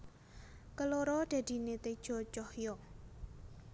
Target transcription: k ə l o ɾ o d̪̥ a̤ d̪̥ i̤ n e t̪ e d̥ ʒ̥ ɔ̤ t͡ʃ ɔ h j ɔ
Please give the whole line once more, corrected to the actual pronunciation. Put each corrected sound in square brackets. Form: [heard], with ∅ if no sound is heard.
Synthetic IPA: k ə l o ɾ [ɔ] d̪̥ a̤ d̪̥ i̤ n e t̪ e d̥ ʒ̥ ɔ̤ t͡ʃ ɔ h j ɔ